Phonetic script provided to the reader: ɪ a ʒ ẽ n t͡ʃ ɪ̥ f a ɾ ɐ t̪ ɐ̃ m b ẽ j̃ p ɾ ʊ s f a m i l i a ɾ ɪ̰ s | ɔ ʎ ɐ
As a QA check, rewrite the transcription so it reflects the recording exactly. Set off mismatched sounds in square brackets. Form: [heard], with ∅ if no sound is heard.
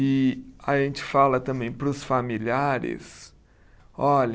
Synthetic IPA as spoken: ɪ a ʒ ẽ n t͡ʃ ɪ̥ f a [l] ɐ t̪ ɐ̃ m b ẽ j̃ p ɾ ʊ s f a m i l i a ɾ ɪ̰ s | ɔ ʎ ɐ